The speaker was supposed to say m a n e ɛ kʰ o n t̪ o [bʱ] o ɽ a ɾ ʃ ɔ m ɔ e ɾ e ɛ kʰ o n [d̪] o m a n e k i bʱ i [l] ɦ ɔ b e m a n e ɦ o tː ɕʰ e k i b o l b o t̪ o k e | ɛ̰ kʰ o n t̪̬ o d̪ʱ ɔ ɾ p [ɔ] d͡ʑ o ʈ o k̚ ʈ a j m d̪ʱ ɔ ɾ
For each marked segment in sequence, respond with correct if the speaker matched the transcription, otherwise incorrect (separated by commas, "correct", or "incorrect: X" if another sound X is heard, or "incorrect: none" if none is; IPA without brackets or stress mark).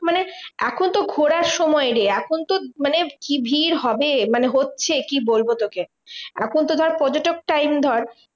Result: incorrect: ɡʱ, incorrect: t̪, incorrect: ɾ, correct